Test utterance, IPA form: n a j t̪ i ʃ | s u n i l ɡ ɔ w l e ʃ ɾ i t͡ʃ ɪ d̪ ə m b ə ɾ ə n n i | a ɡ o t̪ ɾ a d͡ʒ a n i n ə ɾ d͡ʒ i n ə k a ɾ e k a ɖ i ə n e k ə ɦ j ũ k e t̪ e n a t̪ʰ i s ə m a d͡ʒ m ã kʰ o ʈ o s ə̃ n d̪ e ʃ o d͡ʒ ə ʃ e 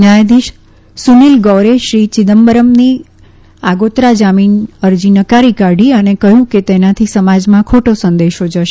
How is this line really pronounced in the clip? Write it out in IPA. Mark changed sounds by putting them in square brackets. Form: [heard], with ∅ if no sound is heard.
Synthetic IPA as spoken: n a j [d̪] i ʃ | s u n i l ɡ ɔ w [ɾ] e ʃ ɾ i t͡ʃ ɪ d̪ ə m b ə ɾ ə [m] n i | a ɡ o t̪ ɾ a d͡ʒ a [m] i n ə ɾ d͡ʒ i n ə k a ɾ [i] k a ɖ i ə n e k ə ɦ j ũ k e t̪ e n a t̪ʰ i s ə m a d͡ʒ m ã kʰ o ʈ o s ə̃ n d̪ e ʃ o d͡ʒ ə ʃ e